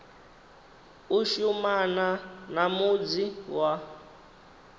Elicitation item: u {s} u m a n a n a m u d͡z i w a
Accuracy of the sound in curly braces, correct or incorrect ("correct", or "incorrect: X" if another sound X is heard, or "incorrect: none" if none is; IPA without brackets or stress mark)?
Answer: incorrect: ʃ